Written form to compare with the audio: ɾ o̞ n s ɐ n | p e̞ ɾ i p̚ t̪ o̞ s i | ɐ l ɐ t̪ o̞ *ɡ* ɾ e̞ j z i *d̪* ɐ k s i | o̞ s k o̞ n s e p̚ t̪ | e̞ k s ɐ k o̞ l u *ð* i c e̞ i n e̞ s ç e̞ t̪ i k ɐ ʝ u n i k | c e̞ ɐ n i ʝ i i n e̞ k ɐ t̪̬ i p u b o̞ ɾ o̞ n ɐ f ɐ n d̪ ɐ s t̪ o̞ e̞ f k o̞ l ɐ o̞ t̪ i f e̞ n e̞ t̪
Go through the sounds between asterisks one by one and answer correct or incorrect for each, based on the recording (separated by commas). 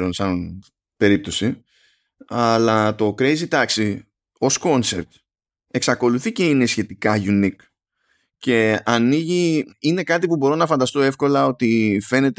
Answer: incorrect, incorrect, incorrect